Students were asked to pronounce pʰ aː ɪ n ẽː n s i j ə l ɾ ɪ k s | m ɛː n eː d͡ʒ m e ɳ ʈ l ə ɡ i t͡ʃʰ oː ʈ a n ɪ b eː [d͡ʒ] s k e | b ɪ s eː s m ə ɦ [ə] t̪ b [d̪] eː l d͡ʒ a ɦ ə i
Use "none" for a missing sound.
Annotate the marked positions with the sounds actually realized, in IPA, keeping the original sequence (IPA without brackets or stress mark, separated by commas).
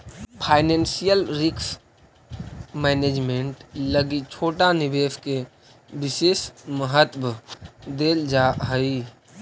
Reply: none, ə, d̪